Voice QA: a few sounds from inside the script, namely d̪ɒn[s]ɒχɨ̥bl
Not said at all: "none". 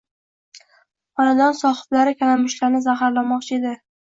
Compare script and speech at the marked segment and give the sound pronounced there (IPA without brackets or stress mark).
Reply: s